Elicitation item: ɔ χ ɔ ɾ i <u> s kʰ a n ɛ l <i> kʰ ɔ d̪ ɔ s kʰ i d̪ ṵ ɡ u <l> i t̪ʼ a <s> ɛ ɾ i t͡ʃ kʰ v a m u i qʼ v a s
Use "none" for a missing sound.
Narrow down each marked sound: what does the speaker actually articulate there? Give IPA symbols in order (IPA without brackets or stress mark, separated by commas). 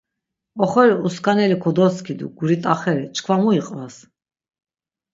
u, i, ɾ, χ